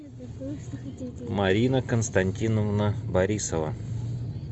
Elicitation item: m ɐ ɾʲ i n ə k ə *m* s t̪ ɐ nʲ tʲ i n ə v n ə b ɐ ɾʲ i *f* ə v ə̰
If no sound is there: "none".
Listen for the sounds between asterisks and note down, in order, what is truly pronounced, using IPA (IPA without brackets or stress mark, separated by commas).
n, s